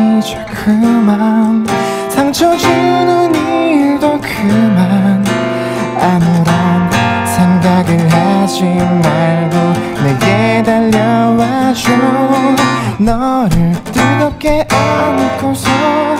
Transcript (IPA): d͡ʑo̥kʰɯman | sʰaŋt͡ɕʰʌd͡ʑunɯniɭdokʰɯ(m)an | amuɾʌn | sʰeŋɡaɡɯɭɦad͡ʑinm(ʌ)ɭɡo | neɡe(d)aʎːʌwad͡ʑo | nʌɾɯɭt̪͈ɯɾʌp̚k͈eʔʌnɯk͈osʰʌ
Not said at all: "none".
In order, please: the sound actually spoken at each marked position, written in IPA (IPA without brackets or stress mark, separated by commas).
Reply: m, a, d